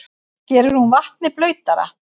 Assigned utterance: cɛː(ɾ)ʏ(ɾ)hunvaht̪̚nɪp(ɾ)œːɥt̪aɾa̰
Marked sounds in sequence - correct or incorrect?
correct, correct, incorrect: l

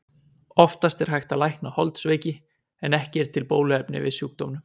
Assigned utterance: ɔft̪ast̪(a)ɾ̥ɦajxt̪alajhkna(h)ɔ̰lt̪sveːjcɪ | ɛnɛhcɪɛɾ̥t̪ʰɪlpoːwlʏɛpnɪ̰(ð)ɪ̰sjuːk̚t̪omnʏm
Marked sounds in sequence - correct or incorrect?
incorrect: ɛ, correct, incorrect: v

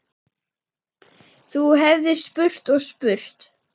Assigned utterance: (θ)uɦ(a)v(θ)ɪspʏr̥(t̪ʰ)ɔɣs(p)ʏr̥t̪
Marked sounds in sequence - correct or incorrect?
correct, incorrect: ɛ, incorrect: ð, incorrect: t̪, correct

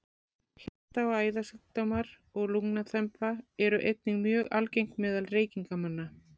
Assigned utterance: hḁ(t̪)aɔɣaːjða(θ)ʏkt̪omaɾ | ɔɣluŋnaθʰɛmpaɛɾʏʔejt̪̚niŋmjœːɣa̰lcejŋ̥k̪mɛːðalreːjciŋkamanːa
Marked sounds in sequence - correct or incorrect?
correct, incorrect: s

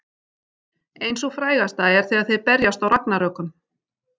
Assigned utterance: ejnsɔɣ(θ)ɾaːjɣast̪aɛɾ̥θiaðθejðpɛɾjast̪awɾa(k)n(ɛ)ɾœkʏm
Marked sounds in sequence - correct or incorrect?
incorrect: f, correct, incorrect: a

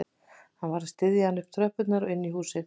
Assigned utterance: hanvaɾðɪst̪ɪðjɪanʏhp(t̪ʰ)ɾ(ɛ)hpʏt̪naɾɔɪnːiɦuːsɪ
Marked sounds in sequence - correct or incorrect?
correct, incorrect: œ

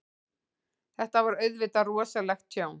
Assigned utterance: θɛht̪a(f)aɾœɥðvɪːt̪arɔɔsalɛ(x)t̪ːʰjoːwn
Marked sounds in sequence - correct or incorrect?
incorrect: v, correct

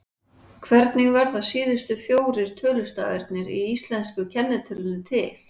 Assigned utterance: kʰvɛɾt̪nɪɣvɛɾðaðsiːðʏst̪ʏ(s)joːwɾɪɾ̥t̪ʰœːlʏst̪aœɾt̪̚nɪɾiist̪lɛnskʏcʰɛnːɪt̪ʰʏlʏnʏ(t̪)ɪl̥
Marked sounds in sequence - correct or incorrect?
incorrect: f, incorrect: t̪ʰ

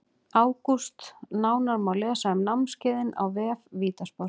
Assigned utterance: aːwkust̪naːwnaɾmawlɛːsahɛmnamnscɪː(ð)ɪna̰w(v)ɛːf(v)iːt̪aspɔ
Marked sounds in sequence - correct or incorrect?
correct, correct, correct

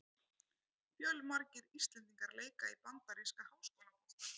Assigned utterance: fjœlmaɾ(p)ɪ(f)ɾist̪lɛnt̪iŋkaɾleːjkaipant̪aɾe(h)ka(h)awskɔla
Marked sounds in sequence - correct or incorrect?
incorrect: c, incorrect: none, incorrect: s, correct

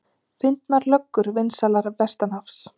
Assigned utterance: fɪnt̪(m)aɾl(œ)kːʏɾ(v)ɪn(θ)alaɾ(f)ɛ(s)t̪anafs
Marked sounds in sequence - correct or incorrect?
incorrect: n, correct, correct, incorrect: s, incorrect: v, correct

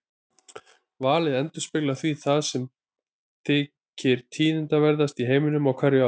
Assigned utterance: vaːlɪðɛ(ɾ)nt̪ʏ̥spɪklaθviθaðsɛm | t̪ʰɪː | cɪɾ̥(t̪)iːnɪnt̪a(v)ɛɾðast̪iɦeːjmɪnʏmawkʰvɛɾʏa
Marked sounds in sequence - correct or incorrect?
incorrect: none, incorrect: t̪ʰ, correct

